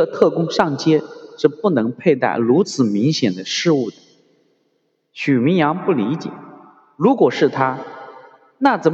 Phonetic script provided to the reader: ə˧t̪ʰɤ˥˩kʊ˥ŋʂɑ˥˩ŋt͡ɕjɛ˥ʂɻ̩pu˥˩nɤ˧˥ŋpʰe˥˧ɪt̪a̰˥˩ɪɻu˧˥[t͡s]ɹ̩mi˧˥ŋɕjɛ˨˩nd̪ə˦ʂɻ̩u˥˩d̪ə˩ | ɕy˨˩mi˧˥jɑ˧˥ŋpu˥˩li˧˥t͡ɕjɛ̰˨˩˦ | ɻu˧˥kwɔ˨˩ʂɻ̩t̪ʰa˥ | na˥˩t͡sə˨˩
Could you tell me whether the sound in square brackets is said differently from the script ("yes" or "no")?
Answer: yes